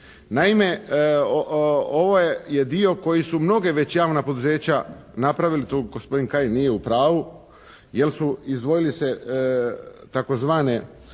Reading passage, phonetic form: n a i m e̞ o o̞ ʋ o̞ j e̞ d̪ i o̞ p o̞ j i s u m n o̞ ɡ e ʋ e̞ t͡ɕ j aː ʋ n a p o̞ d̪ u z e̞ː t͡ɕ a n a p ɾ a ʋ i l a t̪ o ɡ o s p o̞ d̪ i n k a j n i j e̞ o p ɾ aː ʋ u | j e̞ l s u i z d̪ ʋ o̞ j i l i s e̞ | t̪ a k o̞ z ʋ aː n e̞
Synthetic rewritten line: n a i m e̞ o o̞ ʋ o̞ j e̞ d̪ i o̞ k o̞ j i s u m n o̞ ɡ e ʋ e̞ t͡ɕ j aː ʋ n a p o̞ d̪ u z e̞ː t͡ɕ a n a p ɾ a ʋ i l i t̪ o ɡ o s p o̞ d̪ i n k a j n i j e̞ u p ɾ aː ʋ u | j e̞ l s u i z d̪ ʋ o̞ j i l i s e̞ | t̪ a k o̞ z ʋ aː n e̞